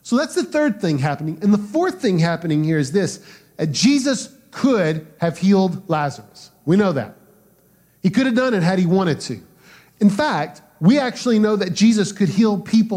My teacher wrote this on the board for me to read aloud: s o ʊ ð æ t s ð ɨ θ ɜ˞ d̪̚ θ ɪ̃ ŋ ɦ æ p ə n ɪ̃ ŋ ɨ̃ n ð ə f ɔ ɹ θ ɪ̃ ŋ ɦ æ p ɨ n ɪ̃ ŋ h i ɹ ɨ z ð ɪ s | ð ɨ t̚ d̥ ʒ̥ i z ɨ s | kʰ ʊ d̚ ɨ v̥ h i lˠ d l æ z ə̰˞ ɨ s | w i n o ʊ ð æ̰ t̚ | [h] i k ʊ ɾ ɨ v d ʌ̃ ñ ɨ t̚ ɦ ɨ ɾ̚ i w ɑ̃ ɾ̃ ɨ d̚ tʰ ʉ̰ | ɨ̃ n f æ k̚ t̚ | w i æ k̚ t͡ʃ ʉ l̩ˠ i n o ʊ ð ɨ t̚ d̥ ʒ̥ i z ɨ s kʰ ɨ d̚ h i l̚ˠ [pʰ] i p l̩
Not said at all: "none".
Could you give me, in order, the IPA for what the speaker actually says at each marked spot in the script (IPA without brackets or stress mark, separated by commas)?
h, pʰ